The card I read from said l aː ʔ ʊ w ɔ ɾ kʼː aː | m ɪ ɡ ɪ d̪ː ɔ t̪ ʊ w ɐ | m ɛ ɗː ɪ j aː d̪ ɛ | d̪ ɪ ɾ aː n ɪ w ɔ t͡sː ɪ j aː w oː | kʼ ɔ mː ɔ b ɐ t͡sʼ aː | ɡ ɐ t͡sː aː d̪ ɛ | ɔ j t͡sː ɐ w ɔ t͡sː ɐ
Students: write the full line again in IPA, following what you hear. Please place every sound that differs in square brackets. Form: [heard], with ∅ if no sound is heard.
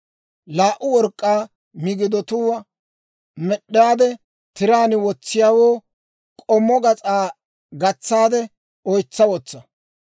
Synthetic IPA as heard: l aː ʔ ʊ w ɔ ɾ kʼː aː | m ɪ ɡ ɪ [d̪] ɔ t̪ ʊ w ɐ | m ɛ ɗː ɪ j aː d̪ ɛ | [t̪] ɪ ɾ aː n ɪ w ɔ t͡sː ɪ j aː w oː | kʼ ɔ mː ɔ [ɡ] ɐ t͡sʼ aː | ɡ ɐ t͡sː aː d̪ ɛ | ɔ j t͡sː ɐ w ɔ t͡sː ɐ

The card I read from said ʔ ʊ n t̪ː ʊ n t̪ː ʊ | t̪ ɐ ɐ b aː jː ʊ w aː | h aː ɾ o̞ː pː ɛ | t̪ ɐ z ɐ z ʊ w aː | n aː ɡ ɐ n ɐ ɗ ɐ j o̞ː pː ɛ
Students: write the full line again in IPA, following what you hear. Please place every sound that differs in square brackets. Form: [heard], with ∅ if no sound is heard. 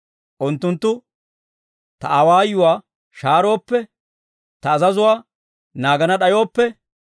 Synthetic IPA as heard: ʔ ʊ n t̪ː ʊ n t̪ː ʊ | t̪ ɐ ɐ [w] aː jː ʊ w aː | [ʃ] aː ɾ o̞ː pː ɛ | t̪ [ɐː] z ɐ z ʊ w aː | n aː ɡ ɐ n ɐ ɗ ɐ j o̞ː pː ɛ

